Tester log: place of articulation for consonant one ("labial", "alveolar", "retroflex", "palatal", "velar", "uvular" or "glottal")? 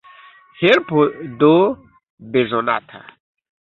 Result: glottal